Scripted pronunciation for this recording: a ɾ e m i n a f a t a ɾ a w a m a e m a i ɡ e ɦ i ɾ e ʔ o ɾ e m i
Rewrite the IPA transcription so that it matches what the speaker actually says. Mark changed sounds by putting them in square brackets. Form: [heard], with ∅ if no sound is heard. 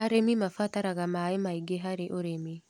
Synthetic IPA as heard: a ɾ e m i [m] a f a t a ɾ a [ɣ] a m a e m a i ɡ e ɦ [a] ɾ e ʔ o ɾ e m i